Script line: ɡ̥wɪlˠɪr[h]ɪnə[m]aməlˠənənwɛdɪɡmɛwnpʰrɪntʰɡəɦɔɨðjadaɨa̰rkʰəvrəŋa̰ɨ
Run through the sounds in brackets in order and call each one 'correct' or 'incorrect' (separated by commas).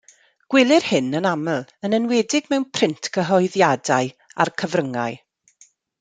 correct, incorrect